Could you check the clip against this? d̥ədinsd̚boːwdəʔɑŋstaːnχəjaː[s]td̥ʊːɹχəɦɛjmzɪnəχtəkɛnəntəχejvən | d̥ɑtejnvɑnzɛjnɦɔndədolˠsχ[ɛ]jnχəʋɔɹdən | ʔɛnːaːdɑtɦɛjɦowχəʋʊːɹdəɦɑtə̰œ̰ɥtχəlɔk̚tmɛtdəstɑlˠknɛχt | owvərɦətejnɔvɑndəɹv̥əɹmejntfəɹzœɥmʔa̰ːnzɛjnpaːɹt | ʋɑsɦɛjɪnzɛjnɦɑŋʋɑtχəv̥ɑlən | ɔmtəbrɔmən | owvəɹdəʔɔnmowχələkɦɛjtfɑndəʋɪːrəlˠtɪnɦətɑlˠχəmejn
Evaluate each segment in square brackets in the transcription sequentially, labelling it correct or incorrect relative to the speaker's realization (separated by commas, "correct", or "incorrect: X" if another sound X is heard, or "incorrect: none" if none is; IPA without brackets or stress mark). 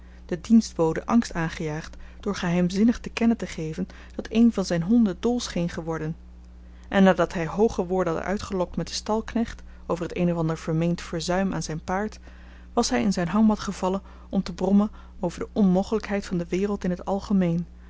incorrect: χ, incorrect: e